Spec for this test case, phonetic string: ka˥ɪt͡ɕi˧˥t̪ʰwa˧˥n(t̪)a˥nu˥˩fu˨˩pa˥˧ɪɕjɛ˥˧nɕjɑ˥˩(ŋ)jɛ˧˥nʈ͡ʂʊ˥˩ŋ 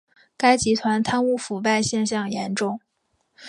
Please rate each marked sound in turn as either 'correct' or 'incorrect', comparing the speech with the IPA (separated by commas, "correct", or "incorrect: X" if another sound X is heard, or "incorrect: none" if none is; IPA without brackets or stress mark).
incorrect: t̪ʰ, correct